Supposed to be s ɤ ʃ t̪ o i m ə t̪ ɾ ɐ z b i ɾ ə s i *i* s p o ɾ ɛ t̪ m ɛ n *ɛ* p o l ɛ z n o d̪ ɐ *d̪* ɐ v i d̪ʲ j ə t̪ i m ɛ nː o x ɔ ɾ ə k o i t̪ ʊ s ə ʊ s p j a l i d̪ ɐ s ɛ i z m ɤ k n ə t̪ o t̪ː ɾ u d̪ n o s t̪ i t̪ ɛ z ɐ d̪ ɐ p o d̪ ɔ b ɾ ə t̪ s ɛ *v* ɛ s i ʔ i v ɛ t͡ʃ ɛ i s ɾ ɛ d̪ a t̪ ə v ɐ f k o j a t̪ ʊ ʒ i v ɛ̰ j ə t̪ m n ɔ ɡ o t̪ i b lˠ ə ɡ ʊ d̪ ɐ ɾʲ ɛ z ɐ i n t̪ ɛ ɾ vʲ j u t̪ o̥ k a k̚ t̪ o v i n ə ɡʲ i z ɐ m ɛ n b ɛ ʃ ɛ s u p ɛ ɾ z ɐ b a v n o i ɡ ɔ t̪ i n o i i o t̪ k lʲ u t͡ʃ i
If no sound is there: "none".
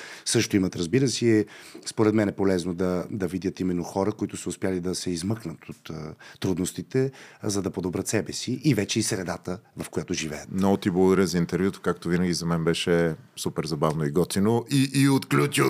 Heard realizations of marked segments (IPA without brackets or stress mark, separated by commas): ɛ, ɛ, d̪, b